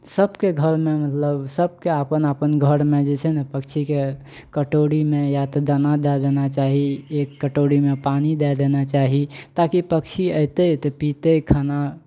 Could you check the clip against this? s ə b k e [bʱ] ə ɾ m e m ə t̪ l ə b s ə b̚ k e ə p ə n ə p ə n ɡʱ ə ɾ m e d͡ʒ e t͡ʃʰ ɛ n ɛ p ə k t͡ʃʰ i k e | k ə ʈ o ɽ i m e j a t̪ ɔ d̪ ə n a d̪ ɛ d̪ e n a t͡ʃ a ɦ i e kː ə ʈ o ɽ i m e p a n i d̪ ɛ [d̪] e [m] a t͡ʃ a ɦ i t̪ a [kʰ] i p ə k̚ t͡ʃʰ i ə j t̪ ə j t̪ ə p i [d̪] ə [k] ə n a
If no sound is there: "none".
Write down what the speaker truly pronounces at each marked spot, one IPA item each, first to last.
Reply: ɡʱ, d̪, n, k, t̪, kʰ

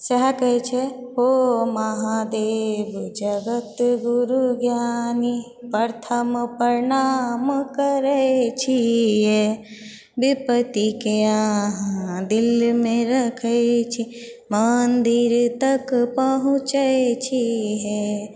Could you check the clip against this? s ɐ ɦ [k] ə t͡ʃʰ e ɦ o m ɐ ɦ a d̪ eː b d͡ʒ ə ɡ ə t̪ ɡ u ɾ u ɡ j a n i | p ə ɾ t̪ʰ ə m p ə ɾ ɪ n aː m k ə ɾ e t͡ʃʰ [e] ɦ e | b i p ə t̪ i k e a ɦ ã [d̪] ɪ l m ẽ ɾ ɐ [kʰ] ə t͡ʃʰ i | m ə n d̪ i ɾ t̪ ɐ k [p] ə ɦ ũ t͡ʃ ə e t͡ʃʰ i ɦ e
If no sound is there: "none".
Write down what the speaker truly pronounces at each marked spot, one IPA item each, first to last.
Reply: k, i, d̪, kʰ, p

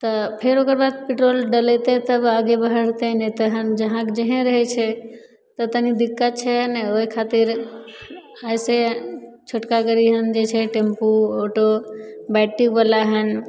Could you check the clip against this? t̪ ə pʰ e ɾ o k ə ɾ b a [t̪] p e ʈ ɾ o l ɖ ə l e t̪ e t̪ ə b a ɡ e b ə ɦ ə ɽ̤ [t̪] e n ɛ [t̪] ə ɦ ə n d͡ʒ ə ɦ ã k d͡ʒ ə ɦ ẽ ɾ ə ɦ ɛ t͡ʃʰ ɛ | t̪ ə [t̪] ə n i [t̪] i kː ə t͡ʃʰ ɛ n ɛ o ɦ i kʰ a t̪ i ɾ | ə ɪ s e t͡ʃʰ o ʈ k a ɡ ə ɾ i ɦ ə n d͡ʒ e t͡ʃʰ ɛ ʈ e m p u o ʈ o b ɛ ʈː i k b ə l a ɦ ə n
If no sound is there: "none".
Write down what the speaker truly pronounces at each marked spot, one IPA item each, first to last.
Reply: d̪, t̪, t̪, t̪, d̪

